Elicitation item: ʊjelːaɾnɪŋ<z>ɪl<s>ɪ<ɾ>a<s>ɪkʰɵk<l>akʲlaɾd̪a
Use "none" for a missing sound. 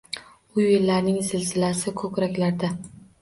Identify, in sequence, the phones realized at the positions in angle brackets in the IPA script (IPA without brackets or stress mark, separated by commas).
z, z, l, s, ɾ